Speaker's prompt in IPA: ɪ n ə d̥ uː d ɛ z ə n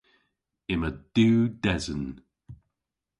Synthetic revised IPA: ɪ m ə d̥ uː d ɛ z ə n

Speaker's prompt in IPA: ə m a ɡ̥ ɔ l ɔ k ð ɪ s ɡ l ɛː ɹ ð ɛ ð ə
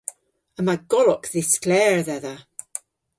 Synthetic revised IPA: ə m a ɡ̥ ɔ l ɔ k ð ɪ s k l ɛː ɹ ð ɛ ð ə

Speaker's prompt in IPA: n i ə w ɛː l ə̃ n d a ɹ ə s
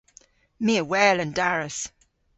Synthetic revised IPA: m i ə w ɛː l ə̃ n d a ɹ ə s

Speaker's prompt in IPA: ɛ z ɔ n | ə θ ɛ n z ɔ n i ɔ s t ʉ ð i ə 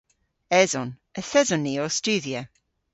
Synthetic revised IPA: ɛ z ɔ n | ə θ ɛ z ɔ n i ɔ s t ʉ ð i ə

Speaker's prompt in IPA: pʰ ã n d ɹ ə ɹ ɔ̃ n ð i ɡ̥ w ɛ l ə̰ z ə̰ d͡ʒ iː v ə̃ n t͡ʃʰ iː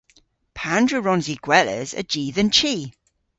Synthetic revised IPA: pʰ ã n d ɹ ə ɹ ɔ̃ n z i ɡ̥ w ɛ l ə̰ z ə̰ d͡ʒ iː ð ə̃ n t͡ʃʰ iː

